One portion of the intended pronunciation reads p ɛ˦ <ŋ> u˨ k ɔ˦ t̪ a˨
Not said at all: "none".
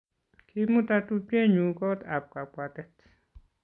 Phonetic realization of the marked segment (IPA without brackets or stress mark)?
ɲ